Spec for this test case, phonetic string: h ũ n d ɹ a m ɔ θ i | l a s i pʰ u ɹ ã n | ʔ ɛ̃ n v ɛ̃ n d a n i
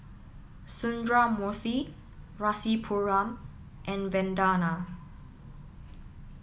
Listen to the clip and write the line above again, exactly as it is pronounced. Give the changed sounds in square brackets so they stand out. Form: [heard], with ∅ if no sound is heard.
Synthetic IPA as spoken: [s] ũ n d ɹ a m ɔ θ i | [ɹ] a s i pʰ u ɹ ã [m] | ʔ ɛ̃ n v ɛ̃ n d a n [a]